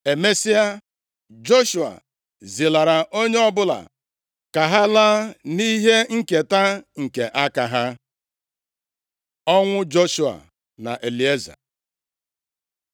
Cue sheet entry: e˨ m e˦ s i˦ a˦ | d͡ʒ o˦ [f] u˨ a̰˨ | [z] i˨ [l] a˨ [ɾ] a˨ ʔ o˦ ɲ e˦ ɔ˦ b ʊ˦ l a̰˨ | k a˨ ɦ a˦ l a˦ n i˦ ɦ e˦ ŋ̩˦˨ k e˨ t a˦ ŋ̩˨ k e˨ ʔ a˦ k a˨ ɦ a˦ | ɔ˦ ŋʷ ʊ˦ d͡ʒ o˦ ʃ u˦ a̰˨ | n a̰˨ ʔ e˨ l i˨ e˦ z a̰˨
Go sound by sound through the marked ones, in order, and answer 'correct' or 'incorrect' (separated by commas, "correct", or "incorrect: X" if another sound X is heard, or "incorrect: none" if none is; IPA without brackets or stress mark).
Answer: incorrect: ʃ, correct, correct, correct